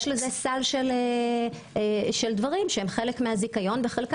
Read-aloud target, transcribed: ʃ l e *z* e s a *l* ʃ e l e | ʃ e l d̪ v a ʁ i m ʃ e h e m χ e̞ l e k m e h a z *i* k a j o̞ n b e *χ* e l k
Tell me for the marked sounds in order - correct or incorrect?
correct, correct, correct, correct

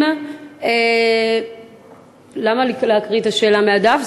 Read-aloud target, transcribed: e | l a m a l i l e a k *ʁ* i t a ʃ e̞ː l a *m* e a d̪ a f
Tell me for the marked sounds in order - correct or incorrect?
correct, correct

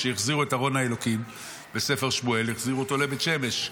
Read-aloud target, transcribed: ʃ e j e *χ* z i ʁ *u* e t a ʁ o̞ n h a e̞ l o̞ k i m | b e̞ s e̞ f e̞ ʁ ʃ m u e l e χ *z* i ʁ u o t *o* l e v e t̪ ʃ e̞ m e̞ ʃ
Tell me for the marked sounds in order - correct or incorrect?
correct, correct, correct, correct

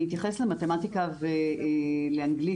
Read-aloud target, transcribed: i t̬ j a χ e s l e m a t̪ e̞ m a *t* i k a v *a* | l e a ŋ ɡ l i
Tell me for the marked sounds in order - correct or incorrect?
correct, incorrect: e

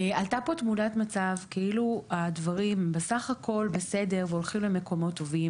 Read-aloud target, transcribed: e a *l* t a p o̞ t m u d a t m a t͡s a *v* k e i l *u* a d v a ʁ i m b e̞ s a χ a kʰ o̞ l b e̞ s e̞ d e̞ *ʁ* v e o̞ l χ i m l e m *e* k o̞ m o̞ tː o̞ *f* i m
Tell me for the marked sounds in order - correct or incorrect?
correct, correct, correct, correct, correct, incorrect: v

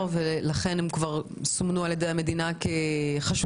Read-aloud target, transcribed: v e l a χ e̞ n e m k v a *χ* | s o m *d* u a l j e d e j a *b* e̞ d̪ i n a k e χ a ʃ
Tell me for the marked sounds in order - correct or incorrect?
incorrect: ʁ, incorrect: n, incorrect: m

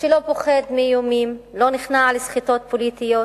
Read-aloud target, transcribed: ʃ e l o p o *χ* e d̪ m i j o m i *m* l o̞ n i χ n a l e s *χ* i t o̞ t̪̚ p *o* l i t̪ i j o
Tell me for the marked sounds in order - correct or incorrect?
correct, correct, correct, correct

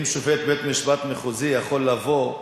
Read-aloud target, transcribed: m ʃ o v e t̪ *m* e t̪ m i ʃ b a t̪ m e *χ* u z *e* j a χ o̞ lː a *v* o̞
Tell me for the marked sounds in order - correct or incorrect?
incorrect: b, correct, incorrect: i, correct

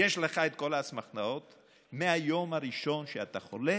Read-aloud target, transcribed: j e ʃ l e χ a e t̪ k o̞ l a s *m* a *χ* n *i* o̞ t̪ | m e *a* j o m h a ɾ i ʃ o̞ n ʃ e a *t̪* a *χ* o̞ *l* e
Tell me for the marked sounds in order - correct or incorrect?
correct, correct, incorrect: a, correct, correct, correct, correct

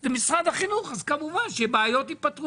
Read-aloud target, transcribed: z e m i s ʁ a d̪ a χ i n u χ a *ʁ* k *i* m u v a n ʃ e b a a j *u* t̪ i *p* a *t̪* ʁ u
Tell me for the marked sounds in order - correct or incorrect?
incorrect: z, incorrect: a, incorrect: o, correct, correct

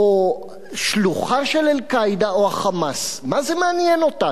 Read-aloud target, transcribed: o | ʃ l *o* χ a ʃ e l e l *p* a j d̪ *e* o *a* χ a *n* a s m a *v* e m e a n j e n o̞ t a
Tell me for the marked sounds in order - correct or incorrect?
incorrect: u, incorrect: k, incorrect: a, correct, incorrect: m, incorrect: z

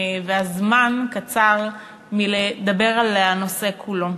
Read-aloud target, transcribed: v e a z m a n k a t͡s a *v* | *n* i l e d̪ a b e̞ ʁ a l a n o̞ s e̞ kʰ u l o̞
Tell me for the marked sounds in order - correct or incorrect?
incorrect: ʁ, incorrect: m

